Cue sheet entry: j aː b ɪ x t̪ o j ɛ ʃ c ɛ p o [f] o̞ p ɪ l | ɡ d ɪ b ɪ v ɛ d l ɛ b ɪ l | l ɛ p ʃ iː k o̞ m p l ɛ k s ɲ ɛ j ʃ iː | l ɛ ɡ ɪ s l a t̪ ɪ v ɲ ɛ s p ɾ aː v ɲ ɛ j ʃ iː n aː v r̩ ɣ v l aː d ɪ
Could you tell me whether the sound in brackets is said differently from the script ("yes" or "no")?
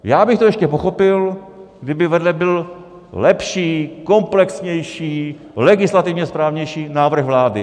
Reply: yes